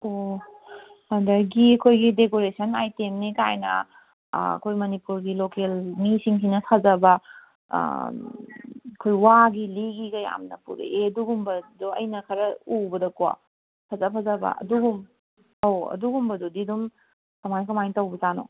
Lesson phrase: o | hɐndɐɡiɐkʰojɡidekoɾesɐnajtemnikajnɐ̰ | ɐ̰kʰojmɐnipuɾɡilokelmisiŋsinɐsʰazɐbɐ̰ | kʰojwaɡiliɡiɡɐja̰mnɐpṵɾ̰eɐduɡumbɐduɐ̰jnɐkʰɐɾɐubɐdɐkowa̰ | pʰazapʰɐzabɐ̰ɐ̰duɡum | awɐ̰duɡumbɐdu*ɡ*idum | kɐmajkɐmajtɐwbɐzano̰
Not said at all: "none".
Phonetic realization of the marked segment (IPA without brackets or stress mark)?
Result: d